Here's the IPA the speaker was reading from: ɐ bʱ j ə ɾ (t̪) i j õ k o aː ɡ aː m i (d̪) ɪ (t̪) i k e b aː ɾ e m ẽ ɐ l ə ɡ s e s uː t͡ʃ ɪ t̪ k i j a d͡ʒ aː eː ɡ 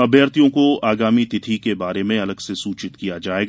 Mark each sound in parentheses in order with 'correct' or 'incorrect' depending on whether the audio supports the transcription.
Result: correct, incorrect, incorrect

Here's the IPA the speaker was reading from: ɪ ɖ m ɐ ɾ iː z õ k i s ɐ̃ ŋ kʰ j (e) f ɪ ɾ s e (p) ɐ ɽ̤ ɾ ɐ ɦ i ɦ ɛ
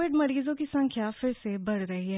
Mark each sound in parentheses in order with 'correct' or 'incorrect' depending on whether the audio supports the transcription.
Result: incorrect, incorrect

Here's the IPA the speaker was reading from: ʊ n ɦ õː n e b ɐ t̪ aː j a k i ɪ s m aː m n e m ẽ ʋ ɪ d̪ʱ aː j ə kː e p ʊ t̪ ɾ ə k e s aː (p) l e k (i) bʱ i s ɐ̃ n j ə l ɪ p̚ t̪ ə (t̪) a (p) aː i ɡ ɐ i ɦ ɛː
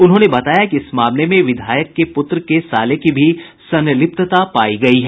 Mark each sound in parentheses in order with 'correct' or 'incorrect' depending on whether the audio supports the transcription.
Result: incorrect, correct, correct, correct

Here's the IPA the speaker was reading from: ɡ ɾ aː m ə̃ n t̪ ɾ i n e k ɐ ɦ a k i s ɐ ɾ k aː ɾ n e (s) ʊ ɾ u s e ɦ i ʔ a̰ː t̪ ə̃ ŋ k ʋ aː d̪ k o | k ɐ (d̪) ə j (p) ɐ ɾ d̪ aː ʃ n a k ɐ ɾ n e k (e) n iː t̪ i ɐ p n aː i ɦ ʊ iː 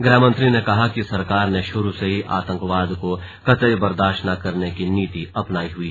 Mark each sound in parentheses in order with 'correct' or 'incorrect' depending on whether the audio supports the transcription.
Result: incorrect, incorrect, incorrect, incorrect

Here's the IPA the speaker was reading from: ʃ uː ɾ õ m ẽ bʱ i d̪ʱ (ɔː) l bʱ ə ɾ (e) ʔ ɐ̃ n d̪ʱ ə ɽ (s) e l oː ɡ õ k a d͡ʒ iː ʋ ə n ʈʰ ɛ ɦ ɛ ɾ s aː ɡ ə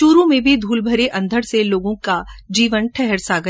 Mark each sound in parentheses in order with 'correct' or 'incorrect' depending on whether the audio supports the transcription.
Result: incorrect, correct, correct

